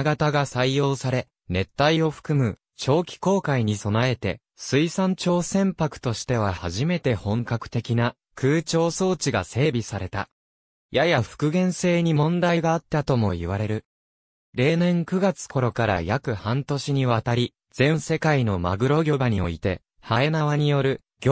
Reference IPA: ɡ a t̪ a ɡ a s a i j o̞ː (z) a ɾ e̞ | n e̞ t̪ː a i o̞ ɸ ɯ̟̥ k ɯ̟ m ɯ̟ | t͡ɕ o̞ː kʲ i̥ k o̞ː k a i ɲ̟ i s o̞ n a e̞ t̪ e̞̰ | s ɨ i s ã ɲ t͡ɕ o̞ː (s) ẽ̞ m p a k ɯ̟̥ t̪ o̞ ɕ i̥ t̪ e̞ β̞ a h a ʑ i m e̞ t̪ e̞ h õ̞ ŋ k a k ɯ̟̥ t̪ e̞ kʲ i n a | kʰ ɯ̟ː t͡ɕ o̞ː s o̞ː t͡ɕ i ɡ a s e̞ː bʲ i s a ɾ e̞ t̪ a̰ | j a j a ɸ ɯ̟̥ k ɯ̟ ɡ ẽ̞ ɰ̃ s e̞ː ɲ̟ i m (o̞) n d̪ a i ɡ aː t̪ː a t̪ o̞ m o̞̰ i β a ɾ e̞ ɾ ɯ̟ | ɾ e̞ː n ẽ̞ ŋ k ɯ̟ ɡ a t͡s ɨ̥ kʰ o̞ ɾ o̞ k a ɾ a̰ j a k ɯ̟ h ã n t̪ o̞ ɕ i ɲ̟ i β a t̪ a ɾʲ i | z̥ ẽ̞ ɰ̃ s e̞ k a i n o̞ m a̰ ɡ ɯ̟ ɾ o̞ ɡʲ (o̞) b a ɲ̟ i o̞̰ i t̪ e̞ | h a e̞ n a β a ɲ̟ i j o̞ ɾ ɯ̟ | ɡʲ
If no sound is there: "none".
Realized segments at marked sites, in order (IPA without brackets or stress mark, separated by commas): s, s, õ̞, o̞